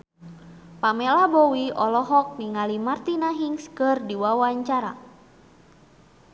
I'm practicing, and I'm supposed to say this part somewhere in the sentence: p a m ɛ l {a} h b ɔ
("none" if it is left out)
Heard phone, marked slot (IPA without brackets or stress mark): a